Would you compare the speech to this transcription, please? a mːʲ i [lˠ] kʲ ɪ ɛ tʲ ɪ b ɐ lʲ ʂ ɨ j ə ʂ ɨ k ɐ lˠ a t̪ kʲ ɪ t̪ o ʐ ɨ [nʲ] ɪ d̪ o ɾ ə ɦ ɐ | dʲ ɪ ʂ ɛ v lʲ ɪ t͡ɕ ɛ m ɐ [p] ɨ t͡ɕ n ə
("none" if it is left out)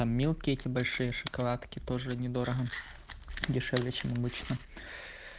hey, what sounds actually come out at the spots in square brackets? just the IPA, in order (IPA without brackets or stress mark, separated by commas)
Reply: lˠ, nʲ, b